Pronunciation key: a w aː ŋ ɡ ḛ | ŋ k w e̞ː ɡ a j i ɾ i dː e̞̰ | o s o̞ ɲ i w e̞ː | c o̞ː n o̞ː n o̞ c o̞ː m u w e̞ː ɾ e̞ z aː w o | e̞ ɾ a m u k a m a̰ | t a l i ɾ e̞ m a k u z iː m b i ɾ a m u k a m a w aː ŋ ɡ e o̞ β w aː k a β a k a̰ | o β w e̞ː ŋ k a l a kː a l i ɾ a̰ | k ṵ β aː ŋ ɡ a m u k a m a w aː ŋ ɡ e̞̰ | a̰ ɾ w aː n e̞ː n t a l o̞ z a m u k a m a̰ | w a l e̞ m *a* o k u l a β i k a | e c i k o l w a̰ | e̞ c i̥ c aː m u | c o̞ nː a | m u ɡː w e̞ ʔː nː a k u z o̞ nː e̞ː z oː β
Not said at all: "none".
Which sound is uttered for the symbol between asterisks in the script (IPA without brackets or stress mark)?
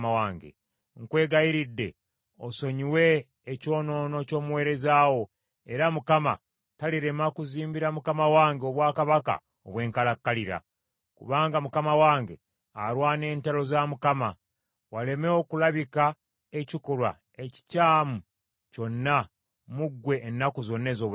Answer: e